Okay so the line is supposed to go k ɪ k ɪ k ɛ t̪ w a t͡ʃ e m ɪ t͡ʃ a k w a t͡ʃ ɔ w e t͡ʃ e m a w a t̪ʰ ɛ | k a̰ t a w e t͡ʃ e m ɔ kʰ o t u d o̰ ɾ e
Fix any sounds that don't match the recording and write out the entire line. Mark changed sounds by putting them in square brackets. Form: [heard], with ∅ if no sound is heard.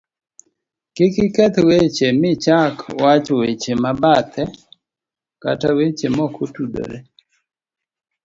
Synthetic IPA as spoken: k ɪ k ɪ k ɛ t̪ w [e] t͡ʃ e m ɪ t͡ʃ a k w a t͡ʃ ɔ w e t͡ʃ e m a [b] a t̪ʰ ɛ | k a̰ t a w e t͡ʃ e m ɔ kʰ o t u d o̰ ɾ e